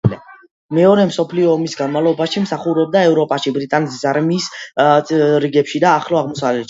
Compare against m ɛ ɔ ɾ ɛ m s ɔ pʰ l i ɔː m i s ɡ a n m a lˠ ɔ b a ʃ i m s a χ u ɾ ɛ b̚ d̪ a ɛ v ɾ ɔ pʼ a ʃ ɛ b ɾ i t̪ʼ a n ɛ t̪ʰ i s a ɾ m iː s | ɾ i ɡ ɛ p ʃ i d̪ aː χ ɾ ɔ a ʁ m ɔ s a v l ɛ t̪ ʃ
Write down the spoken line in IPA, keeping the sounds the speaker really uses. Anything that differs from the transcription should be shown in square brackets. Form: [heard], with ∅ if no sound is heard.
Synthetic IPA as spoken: m ɛ ɔ ɾ ɛ m s ɔ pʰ l i ɔː m i s ɡ a n m a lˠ ɔ b a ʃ i m s a χ u ɾ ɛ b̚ d̪ a ɛ v ɾ ɔ pʼ a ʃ [i] b ɾ i t̪ʼ a n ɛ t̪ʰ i s a ɾ m iː s | ɾ i ɡ ɛ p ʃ i d̪ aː χ [l] ɔ a ʁ m ɔ s a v l ɛ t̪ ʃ